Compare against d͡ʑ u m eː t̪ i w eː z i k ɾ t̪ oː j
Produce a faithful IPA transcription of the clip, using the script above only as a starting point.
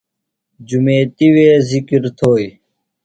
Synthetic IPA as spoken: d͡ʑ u m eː t̪ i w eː z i k ɾ t̪ʰ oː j